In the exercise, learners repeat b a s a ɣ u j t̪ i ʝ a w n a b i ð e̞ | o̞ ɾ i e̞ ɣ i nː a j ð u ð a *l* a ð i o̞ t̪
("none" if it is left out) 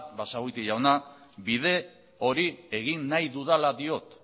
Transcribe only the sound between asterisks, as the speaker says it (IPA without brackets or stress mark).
l